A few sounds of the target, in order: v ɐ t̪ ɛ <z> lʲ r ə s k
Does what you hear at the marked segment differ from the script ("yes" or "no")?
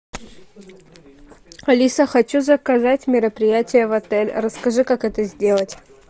yes